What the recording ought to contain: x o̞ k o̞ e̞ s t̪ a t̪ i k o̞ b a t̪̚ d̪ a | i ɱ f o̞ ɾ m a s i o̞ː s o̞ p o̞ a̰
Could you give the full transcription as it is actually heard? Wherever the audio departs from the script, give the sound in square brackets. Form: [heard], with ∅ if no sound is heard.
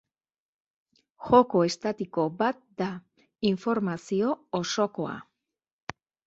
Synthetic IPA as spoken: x o̞ k o̞ e̞ s t̪ a t̪ i k o̞ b a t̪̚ d̪ a | i ɱ f o̞ ɾ m a s i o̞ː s o̞ [k] o̞ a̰